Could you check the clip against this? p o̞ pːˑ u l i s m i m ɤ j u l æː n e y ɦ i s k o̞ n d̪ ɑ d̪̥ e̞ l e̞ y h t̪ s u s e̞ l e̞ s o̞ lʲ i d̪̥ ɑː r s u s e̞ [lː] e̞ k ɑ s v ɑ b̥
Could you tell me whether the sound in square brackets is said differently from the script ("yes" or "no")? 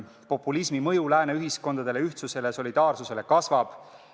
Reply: yes